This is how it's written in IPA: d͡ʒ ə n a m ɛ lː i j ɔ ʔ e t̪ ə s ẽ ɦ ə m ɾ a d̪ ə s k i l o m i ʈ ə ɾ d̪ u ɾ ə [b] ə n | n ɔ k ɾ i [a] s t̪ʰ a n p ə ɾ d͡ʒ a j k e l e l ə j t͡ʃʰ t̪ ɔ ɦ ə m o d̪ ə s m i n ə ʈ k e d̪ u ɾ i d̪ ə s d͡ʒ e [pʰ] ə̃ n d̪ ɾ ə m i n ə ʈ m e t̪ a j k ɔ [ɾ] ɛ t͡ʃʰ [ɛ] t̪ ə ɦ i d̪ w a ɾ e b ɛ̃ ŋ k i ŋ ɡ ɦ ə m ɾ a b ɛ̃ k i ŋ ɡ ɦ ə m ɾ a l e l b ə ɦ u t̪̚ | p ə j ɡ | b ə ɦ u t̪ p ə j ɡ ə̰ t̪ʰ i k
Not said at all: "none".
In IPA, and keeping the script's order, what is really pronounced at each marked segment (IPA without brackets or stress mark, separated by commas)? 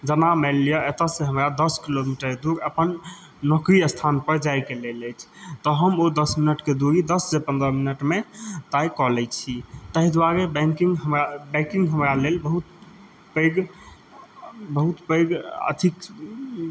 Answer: p, ə, p, l, i